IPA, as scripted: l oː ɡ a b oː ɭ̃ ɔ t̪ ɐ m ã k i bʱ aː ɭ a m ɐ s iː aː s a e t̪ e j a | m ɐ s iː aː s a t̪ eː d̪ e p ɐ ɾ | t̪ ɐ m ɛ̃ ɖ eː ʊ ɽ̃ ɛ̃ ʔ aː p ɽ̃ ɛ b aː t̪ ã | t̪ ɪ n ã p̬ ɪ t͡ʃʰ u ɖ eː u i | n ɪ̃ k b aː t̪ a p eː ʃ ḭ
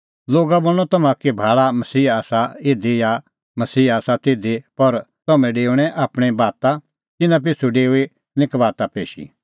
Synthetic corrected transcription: l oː ɡ a b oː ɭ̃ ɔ t̪ ɐ m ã k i bʱ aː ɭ a m ɐ s iː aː s a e d̪ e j a | m ɐ s iː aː s a t̪ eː d̪ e p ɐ ɾ | t̪ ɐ m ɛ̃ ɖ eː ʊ ɽ̃ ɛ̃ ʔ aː p ɽ̃ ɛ b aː t̪ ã | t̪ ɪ n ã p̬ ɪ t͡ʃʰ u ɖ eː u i | n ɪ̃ k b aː t̪ a p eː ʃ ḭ